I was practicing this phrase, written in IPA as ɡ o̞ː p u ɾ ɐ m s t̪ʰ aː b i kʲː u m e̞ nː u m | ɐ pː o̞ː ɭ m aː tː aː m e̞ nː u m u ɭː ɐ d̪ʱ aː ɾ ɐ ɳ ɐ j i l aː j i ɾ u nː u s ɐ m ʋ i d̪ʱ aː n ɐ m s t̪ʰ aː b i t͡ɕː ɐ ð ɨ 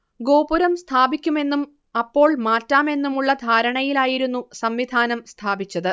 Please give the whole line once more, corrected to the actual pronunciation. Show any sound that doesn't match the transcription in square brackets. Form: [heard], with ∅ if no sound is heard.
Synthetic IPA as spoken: ɡ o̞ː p u ɾ ɐ m s t̪ʰ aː b i kʲː u m e̞ nː u m | ɐ pː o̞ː ɭ m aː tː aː m e̞ nː u m u ɭː ɐ d̪ʱ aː ɾ ɐ ɳ ɐ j i l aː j i ɾ u nː u s ɐ m ʋ i d̪ʱ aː n ɐ m s t̪ʰ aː b i t͡ɕː ɐ ð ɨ

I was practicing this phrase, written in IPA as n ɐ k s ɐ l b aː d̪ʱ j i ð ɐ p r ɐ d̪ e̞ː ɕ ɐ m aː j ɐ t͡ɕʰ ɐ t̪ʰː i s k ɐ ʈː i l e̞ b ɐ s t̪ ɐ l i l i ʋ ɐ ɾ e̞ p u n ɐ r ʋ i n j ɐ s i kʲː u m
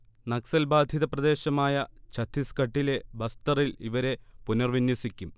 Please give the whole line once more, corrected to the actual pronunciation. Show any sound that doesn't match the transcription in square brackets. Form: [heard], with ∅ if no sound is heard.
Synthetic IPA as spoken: n ɐ k s ɐ l b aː d̪ʱ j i ð ɐ p r ɐ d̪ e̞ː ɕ ɐ m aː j ɐ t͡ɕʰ ɐ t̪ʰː i s k ɐ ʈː i l e̞ b ɐ s t̪ ɐ [r] i l i ʋ ɐ ɾ e̞ p u n ɐ r ʋ i n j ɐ s i kʲː u m

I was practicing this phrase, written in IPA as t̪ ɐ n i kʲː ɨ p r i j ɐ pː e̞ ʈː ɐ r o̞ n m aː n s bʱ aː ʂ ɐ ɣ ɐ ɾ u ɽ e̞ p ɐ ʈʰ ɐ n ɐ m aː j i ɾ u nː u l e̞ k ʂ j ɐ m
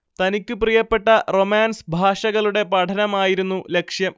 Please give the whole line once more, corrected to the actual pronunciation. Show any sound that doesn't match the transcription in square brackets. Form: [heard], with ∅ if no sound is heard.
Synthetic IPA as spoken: t̪ ɐ n i kʲː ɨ p r i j ɐ pː e̞ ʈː ɐ r o̞ [∅] m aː n s bʱ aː ʂ ɐ ɣ ɐ [ɭ] u ɽ e̞ p ɐ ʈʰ ɐ n ɐ m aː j i ɾ u nː u l e̞ k ʂ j ɐ m

